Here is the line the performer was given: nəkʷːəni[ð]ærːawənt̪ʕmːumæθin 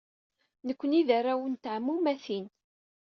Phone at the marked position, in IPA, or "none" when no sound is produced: ð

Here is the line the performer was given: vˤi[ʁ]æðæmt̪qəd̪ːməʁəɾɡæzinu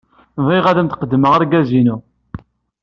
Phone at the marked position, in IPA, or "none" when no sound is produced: ʁ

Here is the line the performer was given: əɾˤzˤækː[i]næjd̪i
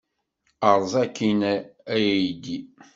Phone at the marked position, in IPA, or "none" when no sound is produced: i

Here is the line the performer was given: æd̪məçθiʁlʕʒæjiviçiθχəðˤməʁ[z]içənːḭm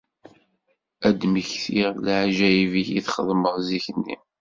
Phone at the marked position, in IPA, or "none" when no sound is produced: z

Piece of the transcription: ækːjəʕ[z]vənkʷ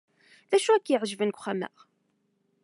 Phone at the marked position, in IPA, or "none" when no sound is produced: ʒ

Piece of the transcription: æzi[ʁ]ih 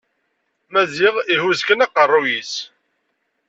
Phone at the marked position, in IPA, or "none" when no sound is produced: ʁ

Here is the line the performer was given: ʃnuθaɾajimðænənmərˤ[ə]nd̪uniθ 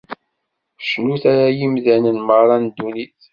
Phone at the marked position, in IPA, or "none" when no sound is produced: ɑ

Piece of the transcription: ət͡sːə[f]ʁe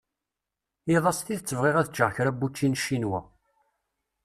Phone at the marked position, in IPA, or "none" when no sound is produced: v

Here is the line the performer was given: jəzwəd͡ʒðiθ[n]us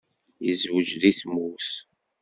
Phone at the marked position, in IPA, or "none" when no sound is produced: m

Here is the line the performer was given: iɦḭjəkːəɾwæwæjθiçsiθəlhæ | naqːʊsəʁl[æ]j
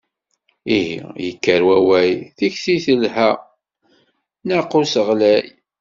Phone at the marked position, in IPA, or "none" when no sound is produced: æ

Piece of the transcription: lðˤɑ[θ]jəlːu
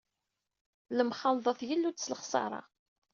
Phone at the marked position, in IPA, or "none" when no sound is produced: θ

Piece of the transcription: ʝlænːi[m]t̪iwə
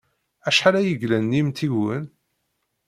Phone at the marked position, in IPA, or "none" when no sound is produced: m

